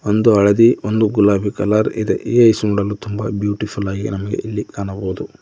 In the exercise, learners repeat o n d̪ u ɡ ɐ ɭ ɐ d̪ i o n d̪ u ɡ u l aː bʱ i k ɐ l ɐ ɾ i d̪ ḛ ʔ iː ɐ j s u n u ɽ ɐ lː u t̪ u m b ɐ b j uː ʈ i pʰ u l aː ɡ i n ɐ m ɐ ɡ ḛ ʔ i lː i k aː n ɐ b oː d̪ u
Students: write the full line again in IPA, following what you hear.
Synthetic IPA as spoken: o n d̪ u ɐ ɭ ɐ d̪ i o n d̪ u ɡ u l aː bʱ i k ɐ l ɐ ɾ i d̪ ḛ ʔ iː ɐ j s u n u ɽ ɐ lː u t̪ u m b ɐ b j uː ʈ i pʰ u l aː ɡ i n ɐ m ɐ ɡ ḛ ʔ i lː i k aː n ɐ b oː d̪ u